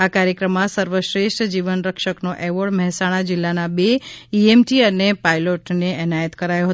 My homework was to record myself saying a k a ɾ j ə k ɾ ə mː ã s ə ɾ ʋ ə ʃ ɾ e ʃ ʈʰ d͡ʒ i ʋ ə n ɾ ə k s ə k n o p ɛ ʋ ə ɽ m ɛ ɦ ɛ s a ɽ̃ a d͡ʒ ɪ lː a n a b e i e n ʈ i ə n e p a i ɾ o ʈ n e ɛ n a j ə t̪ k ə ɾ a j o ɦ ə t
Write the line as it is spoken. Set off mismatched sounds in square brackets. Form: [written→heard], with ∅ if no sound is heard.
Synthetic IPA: a k a ɾ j ə k ɾ ə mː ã s ə ɾ ʋ ə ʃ ɾ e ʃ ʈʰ d͡ʒ i ʋ ə n ɾ ə k [s→ʃ] ə k n o [p→ʔ] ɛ ʋ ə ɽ m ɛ ɦ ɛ s a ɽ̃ a d͡ʒ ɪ lː a n a b e i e [n→m] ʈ i ə n e p a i [ɾ→l] o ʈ n e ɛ n a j ə t̪ k ə ɾ a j o ɦ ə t

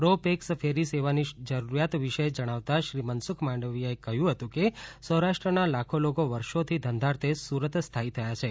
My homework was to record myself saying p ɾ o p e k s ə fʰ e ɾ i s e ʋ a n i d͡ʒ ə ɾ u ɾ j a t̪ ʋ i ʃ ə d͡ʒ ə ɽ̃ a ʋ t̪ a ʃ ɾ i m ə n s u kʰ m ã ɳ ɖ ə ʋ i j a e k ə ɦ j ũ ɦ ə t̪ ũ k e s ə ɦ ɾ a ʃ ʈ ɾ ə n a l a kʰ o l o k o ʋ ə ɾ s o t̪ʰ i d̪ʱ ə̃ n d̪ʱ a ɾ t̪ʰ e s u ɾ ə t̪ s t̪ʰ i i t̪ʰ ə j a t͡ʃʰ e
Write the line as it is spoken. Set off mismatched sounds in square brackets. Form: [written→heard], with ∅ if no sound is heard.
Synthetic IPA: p ɾ o p e k s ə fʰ e ɾ i s e ʋ a n i d͡ʒ ə ɾ u ɾ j a t̪ ʋ i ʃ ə d͡ʒ ə ɽ̃ a ʋ t̪ a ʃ ɾ i m ə n s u kʰ m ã ɳ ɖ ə ʋ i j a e k ə ɦ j ũ ɦ ə t̪ ũ k e s ə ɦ ɾ a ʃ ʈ ɾ ə n a l a kʰ o l o k o ʋ ə ɾ [s→ʃ] o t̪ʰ i d̪ʱ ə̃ n d̪ʱ a ɾ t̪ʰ e s u ɾ ə t̪ s t̪ʰ [i→a] i t̪ʰ ə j a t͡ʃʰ e

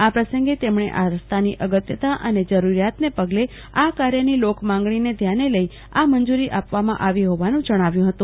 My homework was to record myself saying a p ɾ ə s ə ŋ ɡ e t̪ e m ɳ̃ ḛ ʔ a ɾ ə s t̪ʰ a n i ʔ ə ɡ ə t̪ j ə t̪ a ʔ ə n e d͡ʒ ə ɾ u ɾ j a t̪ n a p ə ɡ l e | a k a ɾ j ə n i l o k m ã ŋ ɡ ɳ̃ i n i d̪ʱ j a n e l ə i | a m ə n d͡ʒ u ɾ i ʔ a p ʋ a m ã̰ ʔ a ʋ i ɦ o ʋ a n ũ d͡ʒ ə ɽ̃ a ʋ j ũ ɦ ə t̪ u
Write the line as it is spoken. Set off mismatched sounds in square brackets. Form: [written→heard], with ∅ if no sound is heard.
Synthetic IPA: a p ɾ ə s ə ŋ ɡ e t̪ e m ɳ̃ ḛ ʔ a ɾ ə s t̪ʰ a n i ʔ ə ɡ ə t̪ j ə t̪ a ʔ ə n e d͡ʒ ə ɾ u ɾ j a t̪ n [a→e] p ə ɡ l e | a k a ɾ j ə n i l o k m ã ŋ ɡ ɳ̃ i n [i→e] d̪ʱ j a n e l ə i | a m ə n d͡ʒ u ɾ i ʔ a p ʋ a m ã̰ ʔ a ʋ i ɦ o ʋ a n ũ d͡ʒ ə ɽ̃ a ʋ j ũ ɦ ə t̪ [u→ũ]

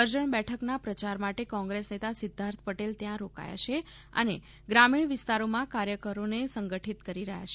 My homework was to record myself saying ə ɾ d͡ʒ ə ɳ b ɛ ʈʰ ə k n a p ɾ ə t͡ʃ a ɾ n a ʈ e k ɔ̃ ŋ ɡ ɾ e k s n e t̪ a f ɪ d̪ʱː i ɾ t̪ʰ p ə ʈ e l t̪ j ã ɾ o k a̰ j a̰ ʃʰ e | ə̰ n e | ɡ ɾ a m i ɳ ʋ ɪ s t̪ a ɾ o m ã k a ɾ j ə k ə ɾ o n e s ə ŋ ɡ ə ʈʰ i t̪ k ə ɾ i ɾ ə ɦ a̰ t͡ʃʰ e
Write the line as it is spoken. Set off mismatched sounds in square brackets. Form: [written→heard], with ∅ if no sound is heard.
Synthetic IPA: ə ɾ d͡ʒ ə ɳ b ɛ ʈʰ ə k n a p ɾ ə t͡ʃ a ɾ [n→m] a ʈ e k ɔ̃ ŋ ɡ ɾ e [k→∅] s n e t̪ a [f→s] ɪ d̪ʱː [i→a] ɾ t̪ʰ p ə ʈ e l t̪ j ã ɾ o k a̰ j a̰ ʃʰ e | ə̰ n e | ɡ ɾ a m i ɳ ʋ ɪ s t̪ a ɾ o m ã k a ɾ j ə k ə ɾ o n e s ə ŋ ɡ ə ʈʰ i t̪ k ə ɾ i ɾ ə ɦ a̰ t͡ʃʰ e

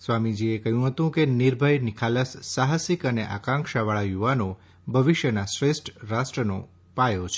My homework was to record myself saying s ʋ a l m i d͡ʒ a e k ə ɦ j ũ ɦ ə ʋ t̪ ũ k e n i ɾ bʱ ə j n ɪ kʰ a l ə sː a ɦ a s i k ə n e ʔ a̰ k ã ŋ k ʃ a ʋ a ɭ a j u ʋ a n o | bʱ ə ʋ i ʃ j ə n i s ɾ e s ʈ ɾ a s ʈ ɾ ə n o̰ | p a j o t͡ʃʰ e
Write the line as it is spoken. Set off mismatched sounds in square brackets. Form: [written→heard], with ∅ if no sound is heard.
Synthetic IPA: s ʋ a [l→∅] m i d͡ʒ [a→i] e k ə ɦ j ũ ɦ ə [ʋ→∅] t̪ ũ k e n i ɾ bʱ ə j n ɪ kʰ a l ə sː a ɦ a s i k ə n e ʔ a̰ k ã ŋ k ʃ a ʋ a ɭ a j u ʋ a n o | bʱ ə ʋ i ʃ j ə n [i→a] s ɾ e s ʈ ɾ a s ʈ ɾ ə n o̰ | p a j o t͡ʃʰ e

